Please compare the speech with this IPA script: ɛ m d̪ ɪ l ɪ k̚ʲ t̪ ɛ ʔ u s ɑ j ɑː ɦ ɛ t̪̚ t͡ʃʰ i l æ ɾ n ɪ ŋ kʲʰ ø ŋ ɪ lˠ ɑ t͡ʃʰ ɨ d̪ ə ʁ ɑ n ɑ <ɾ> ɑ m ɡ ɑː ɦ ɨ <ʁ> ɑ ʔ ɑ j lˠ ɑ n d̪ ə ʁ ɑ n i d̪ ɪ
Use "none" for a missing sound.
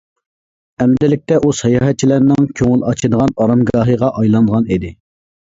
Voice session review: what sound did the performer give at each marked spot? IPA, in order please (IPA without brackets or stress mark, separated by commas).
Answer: ɾ, ʁ